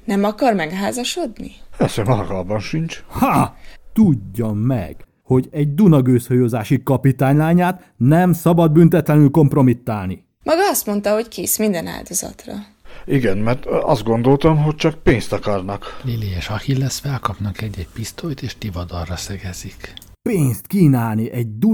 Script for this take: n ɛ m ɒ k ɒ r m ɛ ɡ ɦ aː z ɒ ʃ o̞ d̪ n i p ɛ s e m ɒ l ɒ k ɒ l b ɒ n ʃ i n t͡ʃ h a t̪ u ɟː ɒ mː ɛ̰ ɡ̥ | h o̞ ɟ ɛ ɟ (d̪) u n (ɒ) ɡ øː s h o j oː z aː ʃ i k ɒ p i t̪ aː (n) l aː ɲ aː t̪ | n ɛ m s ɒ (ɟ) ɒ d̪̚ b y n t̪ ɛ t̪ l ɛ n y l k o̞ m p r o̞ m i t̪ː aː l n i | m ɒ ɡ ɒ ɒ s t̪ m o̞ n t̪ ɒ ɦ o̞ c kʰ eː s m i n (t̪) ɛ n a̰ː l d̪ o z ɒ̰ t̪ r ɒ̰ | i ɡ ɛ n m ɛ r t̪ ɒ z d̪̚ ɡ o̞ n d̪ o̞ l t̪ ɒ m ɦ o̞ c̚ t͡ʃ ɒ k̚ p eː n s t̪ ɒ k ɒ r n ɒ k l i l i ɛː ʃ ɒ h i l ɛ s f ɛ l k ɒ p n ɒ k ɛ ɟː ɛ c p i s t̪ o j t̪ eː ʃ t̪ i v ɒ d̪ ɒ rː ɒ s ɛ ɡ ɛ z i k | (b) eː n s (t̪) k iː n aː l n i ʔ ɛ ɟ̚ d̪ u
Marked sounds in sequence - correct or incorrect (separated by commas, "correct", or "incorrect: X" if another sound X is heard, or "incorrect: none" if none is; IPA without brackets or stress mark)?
correct, correct, incorrect: ɲ, incorrect: b, incorrect: d̪, incorrect: p, correct